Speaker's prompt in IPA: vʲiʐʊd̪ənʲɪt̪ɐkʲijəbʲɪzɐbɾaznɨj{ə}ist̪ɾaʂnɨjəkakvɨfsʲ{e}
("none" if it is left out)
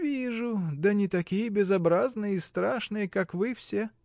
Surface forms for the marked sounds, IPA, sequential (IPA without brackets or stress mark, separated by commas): ə, e